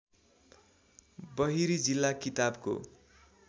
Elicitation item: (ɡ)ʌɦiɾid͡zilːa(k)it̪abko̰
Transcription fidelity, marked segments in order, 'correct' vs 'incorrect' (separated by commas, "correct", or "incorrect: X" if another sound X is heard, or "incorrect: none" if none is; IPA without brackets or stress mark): incorrect: b, correct